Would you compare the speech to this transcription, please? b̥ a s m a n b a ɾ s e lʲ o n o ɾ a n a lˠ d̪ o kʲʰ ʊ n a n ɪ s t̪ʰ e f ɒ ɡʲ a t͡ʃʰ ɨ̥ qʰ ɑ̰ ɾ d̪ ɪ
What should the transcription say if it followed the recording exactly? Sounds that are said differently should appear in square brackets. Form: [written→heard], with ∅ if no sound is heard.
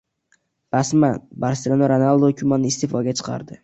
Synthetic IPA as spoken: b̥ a s m a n b a ɾ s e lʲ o n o ɾ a n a lˠ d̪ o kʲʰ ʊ [n→m] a n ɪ s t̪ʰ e f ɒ ɡʲ a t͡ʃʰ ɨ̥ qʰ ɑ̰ ɾ d̪ ɪ